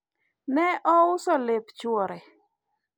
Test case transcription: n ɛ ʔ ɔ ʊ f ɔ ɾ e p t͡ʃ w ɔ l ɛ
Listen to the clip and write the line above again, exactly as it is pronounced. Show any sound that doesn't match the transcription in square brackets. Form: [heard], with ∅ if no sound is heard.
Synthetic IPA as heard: n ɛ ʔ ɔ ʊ [s] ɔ [l] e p t͡ʃ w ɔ [ɾ] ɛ